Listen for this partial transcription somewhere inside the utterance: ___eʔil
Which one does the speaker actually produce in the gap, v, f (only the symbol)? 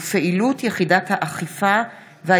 f